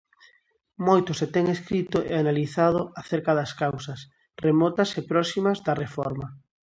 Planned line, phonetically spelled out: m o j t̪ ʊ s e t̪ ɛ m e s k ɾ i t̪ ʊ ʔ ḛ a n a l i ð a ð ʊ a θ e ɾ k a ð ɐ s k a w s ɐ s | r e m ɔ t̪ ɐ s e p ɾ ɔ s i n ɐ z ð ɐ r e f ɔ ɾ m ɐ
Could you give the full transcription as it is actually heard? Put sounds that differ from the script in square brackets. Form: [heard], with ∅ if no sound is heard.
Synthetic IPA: m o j t̪ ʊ s e t̪ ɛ [ŋ] e s k ɾ i t̪ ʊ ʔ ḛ a n a l i [θ] a ð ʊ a θ e ɾ k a ð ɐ s k a w s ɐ s | r e m ɔ t̪ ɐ s e p ɾ ɔ s i [m] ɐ z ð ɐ r e f ɔ ɾ m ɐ